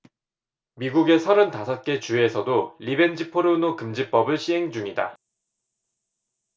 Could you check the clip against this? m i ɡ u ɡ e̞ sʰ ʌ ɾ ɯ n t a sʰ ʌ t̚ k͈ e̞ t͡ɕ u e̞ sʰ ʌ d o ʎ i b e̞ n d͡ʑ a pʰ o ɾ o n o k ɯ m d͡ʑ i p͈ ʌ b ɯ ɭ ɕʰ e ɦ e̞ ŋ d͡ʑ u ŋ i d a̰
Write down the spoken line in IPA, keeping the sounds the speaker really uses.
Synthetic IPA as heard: m i ɡ u ɡ e̞ sʰ ʌ ɾ ɯ n t a sʰ ʌ t̚ k͈ e̞ t͡ɕ u e̞ sʰ ʌ d o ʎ i b e̞ n d͡ʑ i pʰ o ɾ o n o k ɯ m d͡ʑ i p͈ ʌ b ɯ ɭ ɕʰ i ɦ e̞ ŋ d͡ʑ u ŋ i d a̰